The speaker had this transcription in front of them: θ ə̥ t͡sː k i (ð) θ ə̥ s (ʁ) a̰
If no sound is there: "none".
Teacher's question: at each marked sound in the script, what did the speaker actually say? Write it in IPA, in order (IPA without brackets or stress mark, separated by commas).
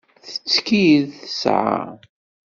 ð, ʕ